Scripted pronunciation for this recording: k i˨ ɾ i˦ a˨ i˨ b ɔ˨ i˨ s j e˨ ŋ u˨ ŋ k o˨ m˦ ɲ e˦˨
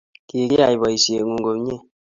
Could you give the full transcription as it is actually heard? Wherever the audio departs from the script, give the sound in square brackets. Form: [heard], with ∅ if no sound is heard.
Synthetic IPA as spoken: k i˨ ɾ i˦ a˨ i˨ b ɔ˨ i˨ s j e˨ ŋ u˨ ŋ [ɡ] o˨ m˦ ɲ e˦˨